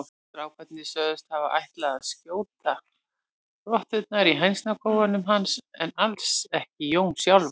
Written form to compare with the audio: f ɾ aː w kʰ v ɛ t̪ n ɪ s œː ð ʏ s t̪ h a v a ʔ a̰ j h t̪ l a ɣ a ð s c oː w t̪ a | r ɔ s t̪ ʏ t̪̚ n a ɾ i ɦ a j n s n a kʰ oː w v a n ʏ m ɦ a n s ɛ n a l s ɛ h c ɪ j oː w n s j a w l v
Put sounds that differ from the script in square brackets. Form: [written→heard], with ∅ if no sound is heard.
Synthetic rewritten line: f ɾ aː w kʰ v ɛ t̪ n ɪ s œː ð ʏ s t̪ h a v a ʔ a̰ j h t̪ l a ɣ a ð s c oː w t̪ a | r ɔ [s→h] t̪ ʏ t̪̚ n a ɾ i ɦ a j n s n a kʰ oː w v a n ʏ m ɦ a n s ɛ n a l s ɛ h c ɪ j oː w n s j a w l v

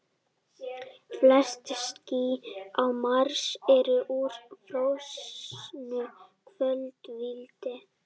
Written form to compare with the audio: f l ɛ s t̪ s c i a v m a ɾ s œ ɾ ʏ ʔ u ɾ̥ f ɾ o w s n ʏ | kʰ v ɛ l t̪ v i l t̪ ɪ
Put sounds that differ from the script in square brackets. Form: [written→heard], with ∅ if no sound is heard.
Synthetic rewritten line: f l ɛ s t̪ s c i a [v→w] m a ɾ s [œ→ɛ] ɾ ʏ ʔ u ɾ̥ f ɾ o w s n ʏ | kʰ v [ɛ→œ] l t̪ v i l t̪ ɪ

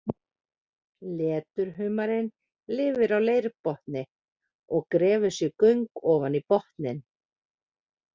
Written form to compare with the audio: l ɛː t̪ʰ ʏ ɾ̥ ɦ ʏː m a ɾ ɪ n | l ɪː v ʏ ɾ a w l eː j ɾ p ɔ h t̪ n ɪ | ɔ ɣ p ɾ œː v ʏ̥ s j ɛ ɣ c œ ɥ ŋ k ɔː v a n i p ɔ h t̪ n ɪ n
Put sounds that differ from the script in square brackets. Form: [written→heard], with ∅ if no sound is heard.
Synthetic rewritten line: l ɛː [t̪ʰ→t̪] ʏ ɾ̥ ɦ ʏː m a ɾ ɪ n | l ɪː v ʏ ɾ a w l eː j ɾ p ɔ h t̪ n ɪ | ɔ ɣ [p→k] ɾ [œː→ɛː] v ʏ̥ s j ɛ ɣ [c→k] œ ɥ ŋ k ɔː v a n i p ɔ h t̪ n ɪ n

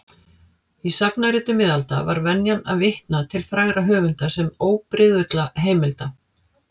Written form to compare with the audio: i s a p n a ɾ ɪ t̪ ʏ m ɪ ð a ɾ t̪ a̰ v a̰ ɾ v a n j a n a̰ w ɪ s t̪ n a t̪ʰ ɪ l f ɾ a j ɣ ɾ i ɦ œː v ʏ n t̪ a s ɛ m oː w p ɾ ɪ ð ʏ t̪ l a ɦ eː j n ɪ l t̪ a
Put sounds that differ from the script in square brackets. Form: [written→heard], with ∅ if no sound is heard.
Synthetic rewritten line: i s a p n a ɾ ɪ t̪ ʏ m ɪ ð a [ɾ→l] t̪ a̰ v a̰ ɾ v [a→ɛ] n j a n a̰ [w→v] ɪ [s→h] t̪ n a t̪ʰ ɪ l f ɾ a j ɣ ɾ [i→a] ɦ œː v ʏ n t̪ a s ɛ m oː w p ɾ ɪ ð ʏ t̪ l a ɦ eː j [n→m] ɪ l t̪ a

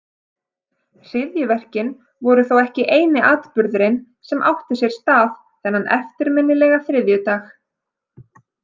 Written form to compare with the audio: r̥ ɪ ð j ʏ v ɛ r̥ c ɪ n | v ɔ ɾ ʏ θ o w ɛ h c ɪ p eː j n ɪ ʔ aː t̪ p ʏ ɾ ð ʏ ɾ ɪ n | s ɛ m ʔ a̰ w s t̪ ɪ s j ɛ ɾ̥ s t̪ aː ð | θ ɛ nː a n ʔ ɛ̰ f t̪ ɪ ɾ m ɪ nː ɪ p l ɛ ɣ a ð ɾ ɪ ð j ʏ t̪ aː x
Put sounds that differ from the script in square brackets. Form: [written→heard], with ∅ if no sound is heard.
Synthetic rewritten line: r̥ ɪ ð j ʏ v ɛ r̥ c ɪ n | v ɔ ɾ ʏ θ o w ɛ h c ɪ [p→ʔ] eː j n ɪ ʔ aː t̪ p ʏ ɾ ð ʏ ɾ ɪ n | s ɛ m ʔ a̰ w [s→h] t̪ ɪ s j ɛ ɾ̥ s t̪ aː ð | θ ɛ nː a n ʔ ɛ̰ f t̪ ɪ ɾ m ɪ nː ɪ [p→∅] l ɛ ɣ a [ð→θ] ɾ ɪ ð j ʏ t̪ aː x

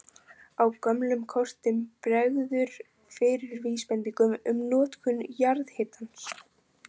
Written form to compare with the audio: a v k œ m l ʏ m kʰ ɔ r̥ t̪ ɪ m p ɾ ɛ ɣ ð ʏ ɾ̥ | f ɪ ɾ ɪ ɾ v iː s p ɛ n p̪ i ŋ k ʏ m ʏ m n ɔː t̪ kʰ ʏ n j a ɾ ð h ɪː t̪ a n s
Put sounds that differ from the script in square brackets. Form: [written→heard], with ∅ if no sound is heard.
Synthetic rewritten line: a [v→w] k œ m l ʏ m kʰ ɔ r̥ t̪ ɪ m p ɾ ɛ ɣ ð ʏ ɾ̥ | f ɪ ɾ ɪ ɾ v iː s p ɛ n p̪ i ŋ k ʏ m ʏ m n ɔː t̪ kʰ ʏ n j a ɾ ð h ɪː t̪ a n s

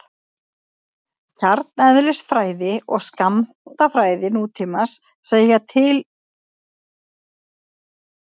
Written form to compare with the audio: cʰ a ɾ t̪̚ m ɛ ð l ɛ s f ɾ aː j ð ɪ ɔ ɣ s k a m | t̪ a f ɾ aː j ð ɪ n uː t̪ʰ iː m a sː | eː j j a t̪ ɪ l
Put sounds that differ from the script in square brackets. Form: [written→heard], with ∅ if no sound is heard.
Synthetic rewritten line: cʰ a ɾ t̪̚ [m→n] ɛ ð l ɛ s f ɾ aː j ð ɪ ɔ ɣ s k a m | t̪ a f ɾ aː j ð ɪ n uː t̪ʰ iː m a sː | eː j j a [t̪→t̪ʰ] ɪ l

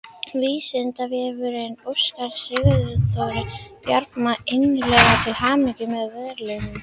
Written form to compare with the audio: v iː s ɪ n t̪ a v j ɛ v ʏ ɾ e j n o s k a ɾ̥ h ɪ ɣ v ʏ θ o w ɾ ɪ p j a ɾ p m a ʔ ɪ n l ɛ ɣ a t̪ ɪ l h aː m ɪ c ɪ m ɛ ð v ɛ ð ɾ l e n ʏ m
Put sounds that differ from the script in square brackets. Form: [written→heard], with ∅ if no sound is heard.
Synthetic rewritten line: v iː s ɪ n t̪ a v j ɛ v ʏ ɾ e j n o s k a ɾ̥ [h→s] ɪ ɣ [v→ð] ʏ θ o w ɾ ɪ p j a ɾ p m a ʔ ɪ n l ɛ ɣ a [t̪→t̪ʰ] ɪ l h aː m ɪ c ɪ m ɛ ð v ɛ ð ɾ l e n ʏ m

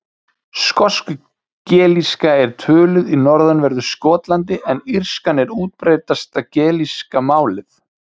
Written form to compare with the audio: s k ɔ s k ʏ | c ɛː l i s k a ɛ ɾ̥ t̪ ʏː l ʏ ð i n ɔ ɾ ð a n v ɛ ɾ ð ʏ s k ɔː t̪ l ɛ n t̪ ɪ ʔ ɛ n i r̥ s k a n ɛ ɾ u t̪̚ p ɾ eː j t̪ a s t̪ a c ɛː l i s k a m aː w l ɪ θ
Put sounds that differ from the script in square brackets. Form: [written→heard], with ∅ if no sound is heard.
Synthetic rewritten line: s k ɔ s k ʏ | c ɛː l i s k a ɛ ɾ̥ [t̪→t̪ʰ] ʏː l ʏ ð i n ɔ ɾ ð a n v ɛ ɾ ð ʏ s k ɔː t̪ l [ɛ→a] n t̪ ɪ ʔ ɛ n i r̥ s k a n ɛ ɾ [u→uː] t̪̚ p ɾ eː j t̪ a s t̪ a c ɛː l i s k a m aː w l ɪ θ

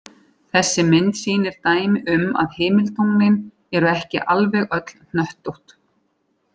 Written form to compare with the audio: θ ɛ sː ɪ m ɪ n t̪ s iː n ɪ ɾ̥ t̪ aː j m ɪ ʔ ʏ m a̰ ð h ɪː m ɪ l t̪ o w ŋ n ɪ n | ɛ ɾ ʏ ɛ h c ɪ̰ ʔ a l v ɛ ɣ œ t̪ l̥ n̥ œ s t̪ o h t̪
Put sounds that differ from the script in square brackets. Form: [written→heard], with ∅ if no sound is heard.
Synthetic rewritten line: θ ɛ sː ɪ m ɪ n t̪ s iː n ɪ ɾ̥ t̪ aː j m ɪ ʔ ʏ m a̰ ð h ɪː m ɪ l t̪ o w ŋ n ɪ n | ɛ ɾ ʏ ɛ h c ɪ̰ ʔ a l v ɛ ɣ œ t̪ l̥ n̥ œ [s→h] t̪ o h t̪

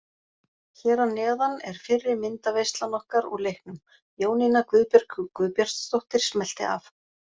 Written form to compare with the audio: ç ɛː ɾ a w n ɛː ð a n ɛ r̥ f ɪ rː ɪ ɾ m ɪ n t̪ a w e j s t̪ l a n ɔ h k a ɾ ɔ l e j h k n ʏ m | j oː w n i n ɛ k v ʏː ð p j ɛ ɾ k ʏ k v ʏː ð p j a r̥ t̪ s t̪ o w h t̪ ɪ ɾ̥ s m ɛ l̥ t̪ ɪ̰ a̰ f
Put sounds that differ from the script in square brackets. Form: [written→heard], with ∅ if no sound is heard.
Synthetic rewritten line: ç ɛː ɾ a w n ɛː ð a n ɛ [r̥→ɾ̥] f ɪ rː ɪ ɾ m ɪ n t̪ a [w→v] e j s t̪ l a n ɔ h k a ɾ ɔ l e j h k n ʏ m | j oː w n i n [ɛ→a] k v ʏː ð p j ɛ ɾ k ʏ k v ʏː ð p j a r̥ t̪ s t̪ o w h t̪ ɪ ɾ̥ s m ɛ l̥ t̪ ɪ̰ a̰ f

